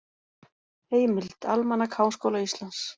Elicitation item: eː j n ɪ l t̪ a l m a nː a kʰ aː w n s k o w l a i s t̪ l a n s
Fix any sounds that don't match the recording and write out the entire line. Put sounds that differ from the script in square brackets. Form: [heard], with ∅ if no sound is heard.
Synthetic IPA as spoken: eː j [m] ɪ l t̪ a l m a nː a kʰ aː w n s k o w l a i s t̪ l a n s